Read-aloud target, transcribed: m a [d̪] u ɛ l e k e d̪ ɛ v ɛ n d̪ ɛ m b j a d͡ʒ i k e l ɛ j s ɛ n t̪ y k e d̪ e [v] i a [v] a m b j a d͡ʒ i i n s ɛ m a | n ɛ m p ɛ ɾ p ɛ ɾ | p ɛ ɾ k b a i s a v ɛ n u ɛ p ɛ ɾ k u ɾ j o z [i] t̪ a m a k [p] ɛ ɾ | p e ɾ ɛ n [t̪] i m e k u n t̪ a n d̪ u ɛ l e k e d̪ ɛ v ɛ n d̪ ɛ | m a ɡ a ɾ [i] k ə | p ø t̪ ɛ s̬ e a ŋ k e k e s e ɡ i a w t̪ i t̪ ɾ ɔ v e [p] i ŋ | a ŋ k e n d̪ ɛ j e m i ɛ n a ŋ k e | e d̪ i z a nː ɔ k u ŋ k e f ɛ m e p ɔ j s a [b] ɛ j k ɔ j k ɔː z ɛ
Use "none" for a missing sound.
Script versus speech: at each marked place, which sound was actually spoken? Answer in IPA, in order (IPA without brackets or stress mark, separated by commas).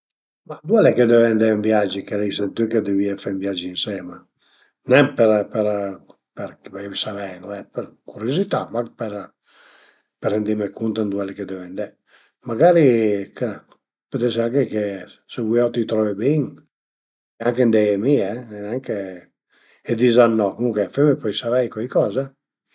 d̪, v, f, i, p, d̪, i, b, v